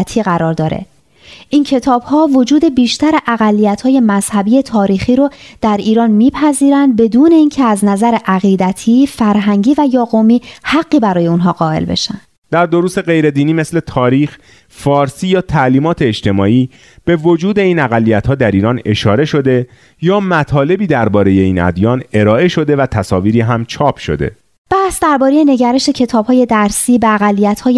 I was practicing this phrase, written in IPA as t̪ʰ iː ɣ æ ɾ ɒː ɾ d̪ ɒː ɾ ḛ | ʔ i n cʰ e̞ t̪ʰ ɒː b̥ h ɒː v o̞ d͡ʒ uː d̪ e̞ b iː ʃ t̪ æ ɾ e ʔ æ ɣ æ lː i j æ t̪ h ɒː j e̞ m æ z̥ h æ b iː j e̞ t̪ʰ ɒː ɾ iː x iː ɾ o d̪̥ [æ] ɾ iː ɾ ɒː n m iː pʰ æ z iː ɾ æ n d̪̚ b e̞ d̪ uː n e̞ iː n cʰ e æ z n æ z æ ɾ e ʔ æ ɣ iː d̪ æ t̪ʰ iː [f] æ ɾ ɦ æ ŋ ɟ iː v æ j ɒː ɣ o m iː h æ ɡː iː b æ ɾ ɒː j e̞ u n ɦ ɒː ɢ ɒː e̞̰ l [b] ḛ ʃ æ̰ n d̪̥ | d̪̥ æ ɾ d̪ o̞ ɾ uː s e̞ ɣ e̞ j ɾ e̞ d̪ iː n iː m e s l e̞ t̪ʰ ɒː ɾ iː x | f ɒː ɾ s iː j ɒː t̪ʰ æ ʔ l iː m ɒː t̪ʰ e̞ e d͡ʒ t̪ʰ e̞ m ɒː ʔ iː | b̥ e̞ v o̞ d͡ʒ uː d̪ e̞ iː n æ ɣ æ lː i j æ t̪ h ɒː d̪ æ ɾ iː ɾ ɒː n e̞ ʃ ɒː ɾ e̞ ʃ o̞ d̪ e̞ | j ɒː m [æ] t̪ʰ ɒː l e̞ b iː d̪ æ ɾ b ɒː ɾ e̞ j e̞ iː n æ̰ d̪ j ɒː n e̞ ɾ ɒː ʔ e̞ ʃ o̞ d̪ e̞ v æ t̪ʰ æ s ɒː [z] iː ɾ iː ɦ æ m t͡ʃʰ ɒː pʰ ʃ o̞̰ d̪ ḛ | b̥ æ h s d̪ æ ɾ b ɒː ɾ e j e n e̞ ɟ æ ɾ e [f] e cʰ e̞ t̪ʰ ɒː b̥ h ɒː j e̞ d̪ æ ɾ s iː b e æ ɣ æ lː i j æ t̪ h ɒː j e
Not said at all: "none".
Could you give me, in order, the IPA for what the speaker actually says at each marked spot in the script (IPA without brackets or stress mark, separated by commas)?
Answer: æ, f, b, æ, v, ʃ